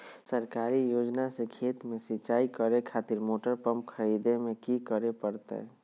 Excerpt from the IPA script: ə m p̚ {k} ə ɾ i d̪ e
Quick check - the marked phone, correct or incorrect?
incorrect